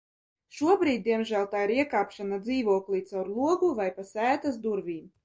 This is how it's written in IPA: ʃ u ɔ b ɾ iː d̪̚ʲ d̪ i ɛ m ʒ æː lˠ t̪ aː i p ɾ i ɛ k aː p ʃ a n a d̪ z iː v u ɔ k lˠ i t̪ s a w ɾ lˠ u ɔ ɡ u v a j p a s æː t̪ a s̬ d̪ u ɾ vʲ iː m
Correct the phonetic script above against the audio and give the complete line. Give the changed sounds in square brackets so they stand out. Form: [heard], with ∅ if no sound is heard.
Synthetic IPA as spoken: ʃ u ɔ b ɾ iː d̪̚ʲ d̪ i ɛ m ʒ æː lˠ t̪ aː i [∅] ɾ i ɛ k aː p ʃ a n a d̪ z iː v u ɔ k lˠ i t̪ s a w ɾ lˠ u ɔ ɡ u v a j p a s æː t̪ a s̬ d̪ u ɾ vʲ iː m

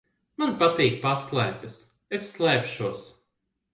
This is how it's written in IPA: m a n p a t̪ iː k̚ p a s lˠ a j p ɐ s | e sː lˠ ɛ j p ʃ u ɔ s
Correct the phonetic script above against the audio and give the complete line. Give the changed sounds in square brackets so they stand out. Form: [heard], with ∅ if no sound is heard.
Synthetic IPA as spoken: m a n p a t̪ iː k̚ p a s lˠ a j p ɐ s | e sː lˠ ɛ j p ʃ u ɔ s

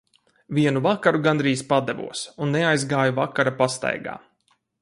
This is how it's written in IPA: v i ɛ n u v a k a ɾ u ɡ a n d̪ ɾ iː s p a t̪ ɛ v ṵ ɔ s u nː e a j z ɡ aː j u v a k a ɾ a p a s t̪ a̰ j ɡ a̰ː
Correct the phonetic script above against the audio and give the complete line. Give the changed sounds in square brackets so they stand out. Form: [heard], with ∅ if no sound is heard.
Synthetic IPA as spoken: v i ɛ n u v a k a ɾ u ɡ a n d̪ ɾ iː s p a [d̪] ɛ v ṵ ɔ s u nː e a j z ɡ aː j u v a k a ɾ a p a s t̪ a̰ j ɡ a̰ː

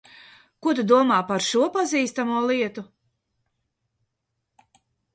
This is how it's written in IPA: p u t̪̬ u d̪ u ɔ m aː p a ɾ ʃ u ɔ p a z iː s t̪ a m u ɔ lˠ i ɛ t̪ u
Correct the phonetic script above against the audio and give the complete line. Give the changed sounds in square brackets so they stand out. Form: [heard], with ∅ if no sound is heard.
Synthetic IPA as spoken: [k] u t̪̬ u d̪ u ɔ m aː p a ɾ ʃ u ɔ p a z iː s t̪ a m u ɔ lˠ i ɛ t̪ u

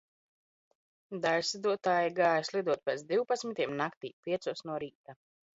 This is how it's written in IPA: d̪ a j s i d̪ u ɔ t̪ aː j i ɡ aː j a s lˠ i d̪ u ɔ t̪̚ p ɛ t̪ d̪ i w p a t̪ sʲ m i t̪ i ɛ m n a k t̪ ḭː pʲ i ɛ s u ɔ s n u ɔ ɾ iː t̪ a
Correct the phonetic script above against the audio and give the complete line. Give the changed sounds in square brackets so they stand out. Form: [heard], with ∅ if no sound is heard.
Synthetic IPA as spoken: d̪ a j s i d̪ u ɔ t̪ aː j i ɡ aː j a s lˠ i d̪ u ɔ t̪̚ p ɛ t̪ d̪ i w p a t̪ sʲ m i t̪ i ɛ m n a k t̪ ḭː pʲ i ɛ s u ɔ s n u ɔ ɾ iː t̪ a

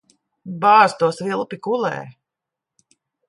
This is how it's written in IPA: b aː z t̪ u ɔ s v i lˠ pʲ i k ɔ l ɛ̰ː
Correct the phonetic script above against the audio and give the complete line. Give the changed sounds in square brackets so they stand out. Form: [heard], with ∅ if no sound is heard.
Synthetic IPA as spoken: b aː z t̪ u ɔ s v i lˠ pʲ i k [u] l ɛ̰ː

